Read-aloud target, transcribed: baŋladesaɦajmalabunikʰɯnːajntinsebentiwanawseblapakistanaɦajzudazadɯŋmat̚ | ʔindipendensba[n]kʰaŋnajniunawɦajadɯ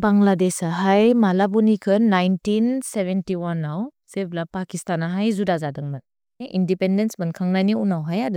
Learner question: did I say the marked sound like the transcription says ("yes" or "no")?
yes